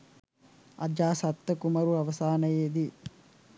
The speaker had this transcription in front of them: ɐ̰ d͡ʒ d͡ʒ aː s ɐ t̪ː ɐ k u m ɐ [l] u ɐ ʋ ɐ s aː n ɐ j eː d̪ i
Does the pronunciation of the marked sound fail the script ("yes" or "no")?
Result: yes